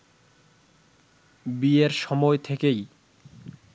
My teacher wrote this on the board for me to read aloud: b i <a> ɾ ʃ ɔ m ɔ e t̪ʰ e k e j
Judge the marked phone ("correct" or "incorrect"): incorrect